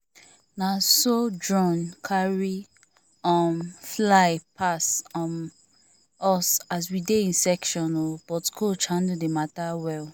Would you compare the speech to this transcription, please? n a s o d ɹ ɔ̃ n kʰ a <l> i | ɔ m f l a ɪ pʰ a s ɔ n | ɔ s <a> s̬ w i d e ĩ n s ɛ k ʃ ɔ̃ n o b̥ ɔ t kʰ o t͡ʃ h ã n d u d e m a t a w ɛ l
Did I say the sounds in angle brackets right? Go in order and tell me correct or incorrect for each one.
incorrect, correct

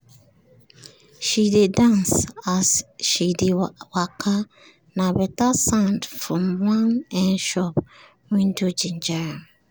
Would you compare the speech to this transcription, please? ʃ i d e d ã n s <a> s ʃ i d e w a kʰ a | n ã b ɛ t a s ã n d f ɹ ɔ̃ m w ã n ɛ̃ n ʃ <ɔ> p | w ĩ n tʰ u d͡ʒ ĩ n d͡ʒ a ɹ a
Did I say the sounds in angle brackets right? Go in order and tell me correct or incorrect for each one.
correct, correct

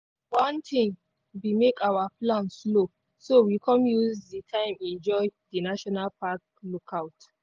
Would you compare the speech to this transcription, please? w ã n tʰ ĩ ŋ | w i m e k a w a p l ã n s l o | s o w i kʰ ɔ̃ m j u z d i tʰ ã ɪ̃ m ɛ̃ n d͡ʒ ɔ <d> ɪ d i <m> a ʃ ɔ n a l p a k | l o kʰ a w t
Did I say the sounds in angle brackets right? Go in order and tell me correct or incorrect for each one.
incorrect, incorrect

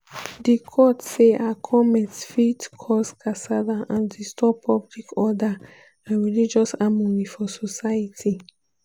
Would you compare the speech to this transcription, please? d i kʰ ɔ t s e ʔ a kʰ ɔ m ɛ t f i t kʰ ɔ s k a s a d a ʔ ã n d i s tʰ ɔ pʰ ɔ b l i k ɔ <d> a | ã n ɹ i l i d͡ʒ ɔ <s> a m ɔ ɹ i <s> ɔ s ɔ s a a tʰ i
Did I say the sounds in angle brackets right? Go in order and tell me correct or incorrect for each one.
correct, correct, incorrect

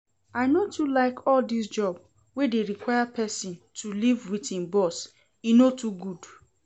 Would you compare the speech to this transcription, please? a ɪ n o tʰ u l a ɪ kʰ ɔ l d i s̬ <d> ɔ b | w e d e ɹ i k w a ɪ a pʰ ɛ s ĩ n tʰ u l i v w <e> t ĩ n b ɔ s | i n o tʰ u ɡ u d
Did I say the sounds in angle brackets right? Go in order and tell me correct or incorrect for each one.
incorrect, incorrect

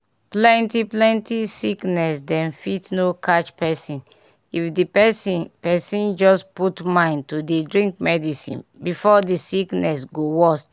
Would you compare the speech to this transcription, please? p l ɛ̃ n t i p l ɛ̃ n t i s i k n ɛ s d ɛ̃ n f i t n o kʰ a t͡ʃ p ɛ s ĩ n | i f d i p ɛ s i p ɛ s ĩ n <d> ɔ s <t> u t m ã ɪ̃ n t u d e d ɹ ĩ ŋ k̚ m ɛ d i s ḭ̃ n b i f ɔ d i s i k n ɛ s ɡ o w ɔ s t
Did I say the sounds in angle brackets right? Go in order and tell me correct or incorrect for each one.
incorrect, incorrect

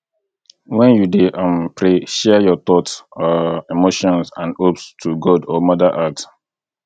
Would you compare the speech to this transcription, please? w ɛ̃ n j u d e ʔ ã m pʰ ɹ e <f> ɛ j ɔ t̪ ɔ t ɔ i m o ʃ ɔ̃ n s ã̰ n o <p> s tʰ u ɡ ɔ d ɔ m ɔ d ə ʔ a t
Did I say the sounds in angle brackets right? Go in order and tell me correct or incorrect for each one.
incorrect, correct

